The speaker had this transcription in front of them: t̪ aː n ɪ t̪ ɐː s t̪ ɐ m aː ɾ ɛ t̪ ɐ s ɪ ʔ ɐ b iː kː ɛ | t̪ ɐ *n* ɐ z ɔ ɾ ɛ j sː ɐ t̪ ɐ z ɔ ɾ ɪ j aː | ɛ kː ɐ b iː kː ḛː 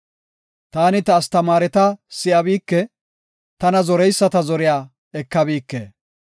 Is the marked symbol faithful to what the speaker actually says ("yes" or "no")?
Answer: yes